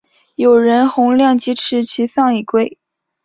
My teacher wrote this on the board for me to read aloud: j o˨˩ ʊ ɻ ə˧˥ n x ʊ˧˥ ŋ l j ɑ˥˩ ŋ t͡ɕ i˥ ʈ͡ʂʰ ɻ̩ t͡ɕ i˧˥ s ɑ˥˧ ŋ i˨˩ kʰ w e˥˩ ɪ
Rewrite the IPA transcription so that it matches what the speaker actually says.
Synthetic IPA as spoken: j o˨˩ ʊ ɻ ə˧˥ n x ʊ˧˥ ŋ l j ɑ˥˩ ŋ t͡ɕ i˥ ʈ͡ʂʰ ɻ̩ t͡ɕʰ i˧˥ s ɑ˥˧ ŋ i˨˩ k w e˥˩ ɪ

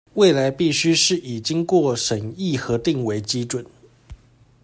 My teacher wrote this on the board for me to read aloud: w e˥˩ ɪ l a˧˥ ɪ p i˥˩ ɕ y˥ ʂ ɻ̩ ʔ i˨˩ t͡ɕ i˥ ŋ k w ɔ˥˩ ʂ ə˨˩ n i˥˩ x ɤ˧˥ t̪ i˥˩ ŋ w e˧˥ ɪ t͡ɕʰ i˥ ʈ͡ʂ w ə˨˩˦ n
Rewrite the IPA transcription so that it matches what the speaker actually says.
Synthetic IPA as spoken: w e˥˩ ɪ l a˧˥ ɪ p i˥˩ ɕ y˥ ʂ ɻ̩ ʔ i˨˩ t͡ɕ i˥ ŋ k w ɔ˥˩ ʂ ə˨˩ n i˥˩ x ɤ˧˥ t̪ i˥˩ ŋ w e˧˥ ɪ t͡ɕ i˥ ʈ͡ʂ w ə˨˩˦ n

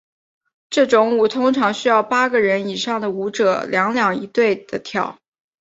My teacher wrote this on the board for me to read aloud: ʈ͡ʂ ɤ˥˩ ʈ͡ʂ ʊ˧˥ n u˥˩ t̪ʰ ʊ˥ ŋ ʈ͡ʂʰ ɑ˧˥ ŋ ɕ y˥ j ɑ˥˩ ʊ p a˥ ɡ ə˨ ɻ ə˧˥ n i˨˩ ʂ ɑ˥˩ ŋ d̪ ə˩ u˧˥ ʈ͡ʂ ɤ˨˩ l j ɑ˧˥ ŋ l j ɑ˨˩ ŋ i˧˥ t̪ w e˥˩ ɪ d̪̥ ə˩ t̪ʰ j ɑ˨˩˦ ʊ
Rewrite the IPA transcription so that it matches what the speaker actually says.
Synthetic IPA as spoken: ʈ͡ʂ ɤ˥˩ ʈ͡ʂ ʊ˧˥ ŋ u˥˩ t̪ʰ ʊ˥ ŋ ʈ͡ʂʰ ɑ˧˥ ŋ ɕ y˥ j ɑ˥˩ ʊ p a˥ ɡ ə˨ ɻ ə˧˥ n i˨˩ ʂ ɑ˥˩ ŋ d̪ ə˩ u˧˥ ʈ͡ʂ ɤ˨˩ l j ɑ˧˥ ŋ l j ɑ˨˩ ŋ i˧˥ t̪ w e˥˩ ɪ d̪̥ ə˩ t̪ʰ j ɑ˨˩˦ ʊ

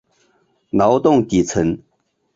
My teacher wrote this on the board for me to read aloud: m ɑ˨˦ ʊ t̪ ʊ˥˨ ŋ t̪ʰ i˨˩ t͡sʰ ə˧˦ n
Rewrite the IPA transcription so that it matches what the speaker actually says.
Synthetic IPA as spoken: n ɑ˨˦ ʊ t̪ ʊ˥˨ ŋ t̪ i˨˩ t͡sʰ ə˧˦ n

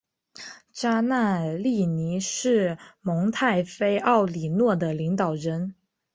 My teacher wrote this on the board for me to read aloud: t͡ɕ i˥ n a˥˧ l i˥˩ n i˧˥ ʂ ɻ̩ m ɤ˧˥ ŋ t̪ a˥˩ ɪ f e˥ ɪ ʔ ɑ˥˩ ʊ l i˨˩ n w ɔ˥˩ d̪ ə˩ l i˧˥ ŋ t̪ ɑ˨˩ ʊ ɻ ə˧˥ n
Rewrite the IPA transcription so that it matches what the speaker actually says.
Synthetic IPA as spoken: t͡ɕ a˥ n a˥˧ l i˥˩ n i˧˥ ʂ ɻ̩ m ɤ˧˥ ŋ t̪ʰ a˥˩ ɪ f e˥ ɪ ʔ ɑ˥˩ ʊ l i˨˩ n w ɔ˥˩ d̪ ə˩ l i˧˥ ŋ t̪ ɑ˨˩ ʊ ɻ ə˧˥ n

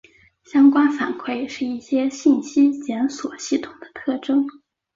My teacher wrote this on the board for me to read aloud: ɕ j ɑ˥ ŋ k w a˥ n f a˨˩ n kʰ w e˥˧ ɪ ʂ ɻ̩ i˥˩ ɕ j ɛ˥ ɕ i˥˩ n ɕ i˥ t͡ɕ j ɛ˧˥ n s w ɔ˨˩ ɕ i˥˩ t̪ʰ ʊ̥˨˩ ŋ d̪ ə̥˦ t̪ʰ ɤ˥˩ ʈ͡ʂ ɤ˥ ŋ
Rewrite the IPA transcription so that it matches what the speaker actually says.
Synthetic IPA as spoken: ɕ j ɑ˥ ŋ k w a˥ n f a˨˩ n kʰ w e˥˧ ɪ ʂ ɻ̩ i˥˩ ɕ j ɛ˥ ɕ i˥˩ n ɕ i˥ t͡ɕ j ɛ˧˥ n s w ɔ˨˩ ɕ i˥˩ t̪ʰ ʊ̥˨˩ ŋ d̪ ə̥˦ t̪ʰ ɤ˥˩ ʈ͡ʂ ɤ˥ ŋ

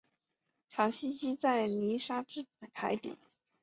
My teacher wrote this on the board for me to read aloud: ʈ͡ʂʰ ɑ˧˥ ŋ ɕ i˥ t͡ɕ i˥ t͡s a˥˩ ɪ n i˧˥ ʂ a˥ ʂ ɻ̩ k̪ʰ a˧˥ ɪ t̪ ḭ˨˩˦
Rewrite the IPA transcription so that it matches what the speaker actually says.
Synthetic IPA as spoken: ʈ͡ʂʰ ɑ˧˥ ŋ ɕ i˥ t͡ɕ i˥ t͡s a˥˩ ɪ n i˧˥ ʂ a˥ ʈ͡ʂ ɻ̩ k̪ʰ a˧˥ ɪ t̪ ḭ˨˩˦

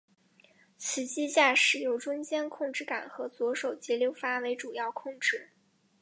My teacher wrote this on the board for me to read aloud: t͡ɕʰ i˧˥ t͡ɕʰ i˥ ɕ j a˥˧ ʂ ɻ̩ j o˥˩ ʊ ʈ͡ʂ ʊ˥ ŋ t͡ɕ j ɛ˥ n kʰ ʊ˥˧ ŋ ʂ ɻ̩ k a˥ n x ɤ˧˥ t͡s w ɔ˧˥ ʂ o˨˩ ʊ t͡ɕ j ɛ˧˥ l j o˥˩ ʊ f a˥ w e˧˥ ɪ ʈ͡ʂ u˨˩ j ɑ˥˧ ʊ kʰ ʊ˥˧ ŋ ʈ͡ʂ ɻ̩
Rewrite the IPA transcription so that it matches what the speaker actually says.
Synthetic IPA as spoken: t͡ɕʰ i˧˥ t͡ɕ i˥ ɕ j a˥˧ ʂ ɻ̩ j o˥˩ ʊ ʈ͡ʂ ʊ˥ ŋ t͡ɕ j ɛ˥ n kʰ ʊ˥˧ ŋ ʈ͡ʂ ɻ̩ k a˨˩ n x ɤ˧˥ t͡s w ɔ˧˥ ʂ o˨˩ ʊ t͡ɕ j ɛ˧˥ l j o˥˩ ʊ f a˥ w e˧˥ ɪ ʈ͡ʂ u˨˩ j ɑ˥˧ ʊ kʰ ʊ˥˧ ŋ ʈ͡ʂ ɻ̩

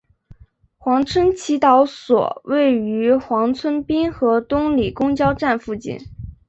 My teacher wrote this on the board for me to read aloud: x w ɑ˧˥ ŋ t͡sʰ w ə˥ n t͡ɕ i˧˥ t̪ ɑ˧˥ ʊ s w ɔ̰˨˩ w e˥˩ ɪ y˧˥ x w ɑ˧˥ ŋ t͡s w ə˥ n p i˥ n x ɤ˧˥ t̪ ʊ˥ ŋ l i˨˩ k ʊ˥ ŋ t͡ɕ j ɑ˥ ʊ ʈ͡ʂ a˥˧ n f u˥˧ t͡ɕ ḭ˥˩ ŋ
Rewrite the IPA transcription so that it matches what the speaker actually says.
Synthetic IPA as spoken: x w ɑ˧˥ ŋ t͡sʰ w ə˥ n t͡ɕʰ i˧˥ t̪ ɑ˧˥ ʊ s w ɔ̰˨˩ w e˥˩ ɪ y˧˥ x w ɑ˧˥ ŋ t͡sʰ w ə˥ n p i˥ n x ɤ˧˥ t̪ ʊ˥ ŋ l i˨˩ k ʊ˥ ŋ t͡ɕ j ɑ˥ ʊ ʈ͡ʂ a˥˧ n f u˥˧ t͡ɕ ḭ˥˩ n

